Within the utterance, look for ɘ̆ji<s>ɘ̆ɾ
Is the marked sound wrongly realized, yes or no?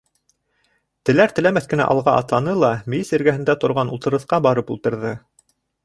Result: no